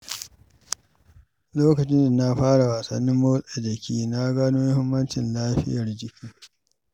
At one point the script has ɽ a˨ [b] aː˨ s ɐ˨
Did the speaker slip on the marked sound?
yes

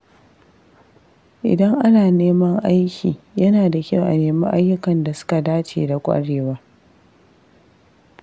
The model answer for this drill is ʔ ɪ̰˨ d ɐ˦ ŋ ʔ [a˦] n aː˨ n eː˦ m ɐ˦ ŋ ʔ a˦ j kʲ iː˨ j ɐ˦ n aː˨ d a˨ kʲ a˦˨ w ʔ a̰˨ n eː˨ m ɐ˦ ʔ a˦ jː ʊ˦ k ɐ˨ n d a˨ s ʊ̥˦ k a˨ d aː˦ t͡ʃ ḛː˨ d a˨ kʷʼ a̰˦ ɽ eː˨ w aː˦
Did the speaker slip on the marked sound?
no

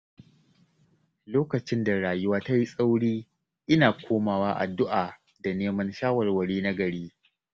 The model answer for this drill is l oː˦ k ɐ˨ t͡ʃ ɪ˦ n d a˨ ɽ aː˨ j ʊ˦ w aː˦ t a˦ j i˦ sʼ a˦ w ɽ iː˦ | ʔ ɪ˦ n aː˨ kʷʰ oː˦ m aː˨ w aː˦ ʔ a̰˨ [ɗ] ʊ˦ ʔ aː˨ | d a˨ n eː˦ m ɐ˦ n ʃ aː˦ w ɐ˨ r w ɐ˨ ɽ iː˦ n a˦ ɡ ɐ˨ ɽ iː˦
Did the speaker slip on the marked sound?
yes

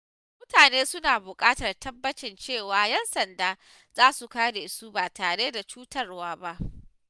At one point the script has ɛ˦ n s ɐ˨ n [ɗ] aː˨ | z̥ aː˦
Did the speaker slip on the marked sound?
yes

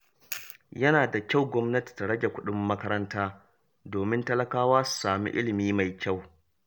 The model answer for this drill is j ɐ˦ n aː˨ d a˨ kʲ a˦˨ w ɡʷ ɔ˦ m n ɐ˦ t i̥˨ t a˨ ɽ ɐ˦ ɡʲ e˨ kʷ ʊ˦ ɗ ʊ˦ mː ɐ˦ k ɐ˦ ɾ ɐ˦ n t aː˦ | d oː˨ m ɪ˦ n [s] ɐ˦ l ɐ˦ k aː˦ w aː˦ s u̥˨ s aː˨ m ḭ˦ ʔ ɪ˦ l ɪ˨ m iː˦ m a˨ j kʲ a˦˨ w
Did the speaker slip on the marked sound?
yes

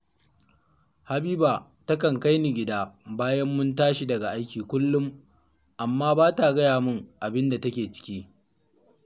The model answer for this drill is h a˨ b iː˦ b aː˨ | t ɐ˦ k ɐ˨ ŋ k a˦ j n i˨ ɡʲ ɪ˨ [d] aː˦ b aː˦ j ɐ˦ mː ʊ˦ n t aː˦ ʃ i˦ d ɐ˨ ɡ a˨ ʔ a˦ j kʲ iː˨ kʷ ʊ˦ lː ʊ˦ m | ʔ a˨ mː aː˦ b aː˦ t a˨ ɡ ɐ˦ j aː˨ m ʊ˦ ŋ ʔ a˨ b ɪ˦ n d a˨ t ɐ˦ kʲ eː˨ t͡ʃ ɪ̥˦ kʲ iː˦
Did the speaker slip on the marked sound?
no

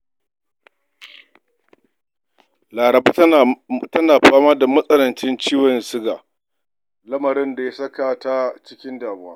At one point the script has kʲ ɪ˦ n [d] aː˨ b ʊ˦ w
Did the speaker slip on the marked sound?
no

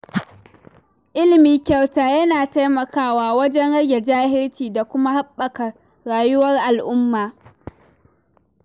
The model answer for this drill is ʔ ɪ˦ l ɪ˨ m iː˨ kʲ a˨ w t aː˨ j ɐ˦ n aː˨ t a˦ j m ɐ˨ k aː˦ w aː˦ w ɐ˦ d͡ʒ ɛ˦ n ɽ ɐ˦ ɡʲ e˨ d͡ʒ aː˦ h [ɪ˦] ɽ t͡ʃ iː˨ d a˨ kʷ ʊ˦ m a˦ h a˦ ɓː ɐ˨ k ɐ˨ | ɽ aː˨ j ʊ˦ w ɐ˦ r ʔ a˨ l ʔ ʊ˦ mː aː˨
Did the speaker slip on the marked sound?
no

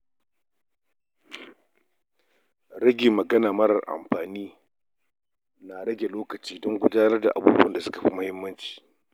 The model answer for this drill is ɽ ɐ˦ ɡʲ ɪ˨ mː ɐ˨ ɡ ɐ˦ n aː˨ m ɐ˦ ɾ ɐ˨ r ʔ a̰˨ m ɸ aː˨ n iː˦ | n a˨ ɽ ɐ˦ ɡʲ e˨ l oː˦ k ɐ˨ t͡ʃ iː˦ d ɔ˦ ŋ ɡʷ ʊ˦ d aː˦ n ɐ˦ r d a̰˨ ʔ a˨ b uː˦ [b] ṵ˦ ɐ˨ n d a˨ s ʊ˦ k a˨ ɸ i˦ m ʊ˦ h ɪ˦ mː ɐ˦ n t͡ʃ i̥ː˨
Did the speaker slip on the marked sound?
no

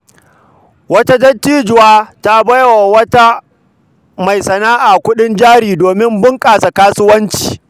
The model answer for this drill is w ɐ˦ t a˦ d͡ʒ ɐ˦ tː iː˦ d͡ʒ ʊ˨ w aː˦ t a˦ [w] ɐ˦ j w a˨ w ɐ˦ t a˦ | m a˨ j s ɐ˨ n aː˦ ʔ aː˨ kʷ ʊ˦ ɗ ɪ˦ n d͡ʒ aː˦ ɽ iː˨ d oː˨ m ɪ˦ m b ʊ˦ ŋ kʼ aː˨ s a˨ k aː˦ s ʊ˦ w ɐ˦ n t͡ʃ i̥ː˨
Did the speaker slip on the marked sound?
yes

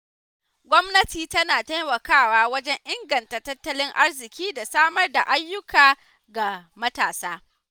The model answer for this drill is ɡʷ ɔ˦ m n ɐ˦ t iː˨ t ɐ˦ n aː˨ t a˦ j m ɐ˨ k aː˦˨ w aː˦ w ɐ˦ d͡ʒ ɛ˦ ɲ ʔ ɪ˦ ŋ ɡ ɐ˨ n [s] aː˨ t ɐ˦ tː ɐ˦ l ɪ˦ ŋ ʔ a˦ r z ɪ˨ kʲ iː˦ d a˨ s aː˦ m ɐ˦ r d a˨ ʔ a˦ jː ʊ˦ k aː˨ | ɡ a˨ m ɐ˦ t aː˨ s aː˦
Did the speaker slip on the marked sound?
yes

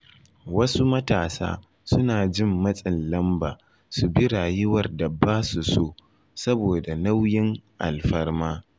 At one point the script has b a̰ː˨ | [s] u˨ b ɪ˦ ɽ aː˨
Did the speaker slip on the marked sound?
no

